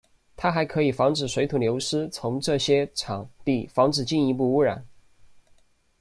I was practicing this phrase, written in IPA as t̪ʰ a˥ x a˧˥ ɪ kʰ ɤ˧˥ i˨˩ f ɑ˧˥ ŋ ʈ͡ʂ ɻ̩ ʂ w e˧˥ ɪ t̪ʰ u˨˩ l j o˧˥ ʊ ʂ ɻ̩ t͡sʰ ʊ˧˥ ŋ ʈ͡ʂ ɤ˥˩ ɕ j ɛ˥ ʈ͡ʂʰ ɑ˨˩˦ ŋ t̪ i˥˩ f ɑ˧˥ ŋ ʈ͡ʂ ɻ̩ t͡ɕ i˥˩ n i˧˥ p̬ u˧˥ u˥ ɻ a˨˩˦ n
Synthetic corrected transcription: t̪ʰ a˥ x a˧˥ ɪ kʰ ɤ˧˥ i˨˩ f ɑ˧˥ ŋ ʈ͡ʂ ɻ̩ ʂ w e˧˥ ɪ t̪ʰ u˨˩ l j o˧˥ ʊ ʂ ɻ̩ t͡sʰ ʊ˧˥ ŋ ʈ͡ʂ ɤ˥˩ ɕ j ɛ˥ ʈ͡ʂʰ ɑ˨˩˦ ŋ t̪ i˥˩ f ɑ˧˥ ŋ ʈ͡ʂ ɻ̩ t͡ɕ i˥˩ n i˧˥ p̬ u˥˧ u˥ ɻ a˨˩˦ n